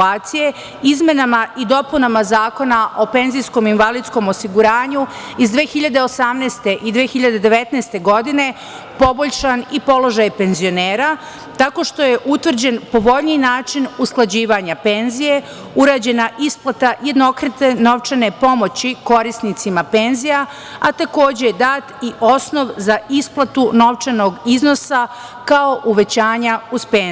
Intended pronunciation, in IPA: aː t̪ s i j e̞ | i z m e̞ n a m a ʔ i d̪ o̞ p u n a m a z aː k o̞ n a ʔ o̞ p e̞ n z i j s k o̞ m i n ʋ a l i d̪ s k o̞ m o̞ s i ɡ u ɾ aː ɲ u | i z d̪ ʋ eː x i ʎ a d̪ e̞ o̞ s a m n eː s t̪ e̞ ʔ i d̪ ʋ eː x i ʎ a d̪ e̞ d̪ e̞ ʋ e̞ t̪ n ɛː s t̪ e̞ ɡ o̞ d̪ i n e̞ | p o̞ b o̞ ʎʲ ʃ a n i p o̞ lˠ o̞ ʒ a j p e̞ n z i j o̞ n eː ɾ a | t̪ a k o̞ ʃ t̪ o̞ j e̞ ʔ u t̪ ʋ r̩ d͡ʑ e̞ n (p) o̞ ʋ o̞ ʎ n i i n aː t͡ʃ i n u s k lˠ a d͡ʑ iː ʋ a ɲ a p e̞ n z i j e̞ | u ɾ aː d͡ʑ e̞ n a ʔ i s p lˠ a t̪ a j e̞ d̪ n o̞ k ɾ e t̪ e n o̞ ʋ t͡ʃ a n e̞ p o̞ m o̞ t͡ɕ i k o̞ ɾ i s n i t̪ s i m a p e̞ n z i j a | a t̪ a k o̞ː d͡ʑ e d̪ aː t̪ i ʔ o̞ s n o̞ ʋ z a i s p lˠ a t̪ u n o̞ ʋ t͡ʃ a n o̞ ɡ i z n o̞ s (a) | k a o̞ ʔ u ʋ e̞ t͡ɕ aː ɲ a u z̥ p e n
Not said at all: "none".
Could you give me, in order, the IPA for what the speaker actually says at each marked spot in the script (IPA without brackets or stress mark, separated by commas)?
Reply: p, a